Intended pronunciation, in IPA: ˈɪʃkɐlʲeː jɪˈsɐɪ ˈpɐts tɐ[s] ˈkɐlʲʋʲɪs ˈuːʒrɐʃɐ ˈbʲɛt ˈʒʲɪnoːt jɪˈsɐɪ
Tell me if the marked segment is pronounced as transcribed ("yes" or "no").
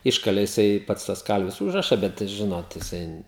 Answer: yes